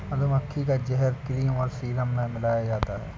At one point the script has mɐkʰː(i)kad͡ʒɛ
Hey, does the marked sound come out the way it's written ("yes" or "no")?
yes